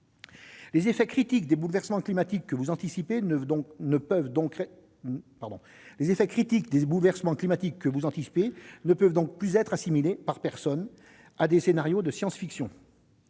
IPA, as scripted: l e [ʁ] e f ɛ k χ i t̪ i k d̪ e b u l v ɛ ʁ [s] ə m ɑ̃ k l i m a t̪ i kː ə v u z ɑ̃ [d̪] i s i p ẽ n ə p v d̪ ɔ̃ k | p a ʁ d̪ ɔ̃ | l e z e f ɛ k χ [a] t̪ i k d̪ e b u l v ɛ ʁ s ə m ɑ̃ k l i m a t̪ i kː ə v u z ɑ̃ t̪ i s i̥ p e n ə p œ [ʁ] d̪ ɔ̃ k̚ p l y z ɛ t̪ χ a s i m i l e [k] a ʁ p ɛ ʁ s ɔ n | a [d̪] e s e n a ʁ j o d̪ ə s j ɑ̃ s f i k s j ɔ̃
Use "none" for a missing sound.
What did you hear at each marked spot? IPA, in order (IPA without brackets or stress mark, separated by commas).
z, s, t̪, i, v, p, d̪